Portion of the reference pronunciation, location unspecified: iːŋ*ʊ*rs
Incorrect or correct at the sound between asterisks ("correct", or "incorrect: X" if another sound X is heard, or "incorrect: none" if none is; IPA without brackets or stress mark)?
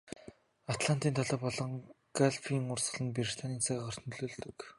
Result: correct